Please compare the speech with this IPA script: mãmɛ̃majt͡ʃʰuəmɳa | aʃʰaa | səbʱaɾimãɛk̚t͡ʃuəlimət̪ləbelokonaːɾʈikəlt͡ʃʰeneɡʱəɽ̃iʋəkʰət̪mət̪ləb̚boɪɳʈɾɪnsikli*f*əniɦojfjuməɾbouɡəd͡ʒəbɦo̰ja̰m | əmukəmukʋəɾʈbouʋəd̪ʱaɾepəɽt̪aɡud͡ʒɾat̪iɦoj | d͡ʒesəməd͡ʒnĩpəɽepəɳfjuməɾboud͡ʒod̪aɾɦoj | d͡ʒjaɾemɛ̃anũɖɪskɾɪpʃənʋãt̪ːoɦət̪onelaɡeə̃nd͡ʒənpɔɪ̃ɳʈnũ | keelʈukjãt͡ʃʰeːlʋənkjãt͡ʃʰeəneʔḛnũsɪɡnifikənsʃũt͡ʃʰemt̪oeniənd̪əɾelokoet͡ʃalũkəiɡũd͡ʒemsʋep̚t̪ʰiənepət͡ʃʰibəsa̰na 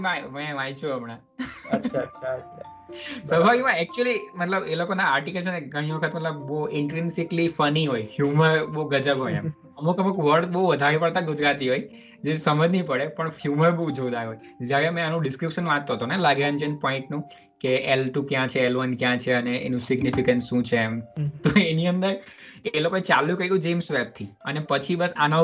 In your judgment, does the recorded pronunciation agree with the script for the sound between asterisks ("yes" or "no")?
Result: yes